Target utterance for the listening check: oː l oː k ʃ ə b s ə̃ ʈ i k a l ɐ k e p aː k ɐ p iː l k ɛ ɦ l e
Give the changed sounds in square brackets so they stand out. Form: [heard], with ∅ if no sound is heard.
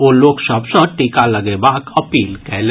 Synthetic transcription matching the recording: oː l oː k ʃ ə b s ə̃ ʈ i k a l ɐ [ɡ] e [b] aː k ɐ p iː l k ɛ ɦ l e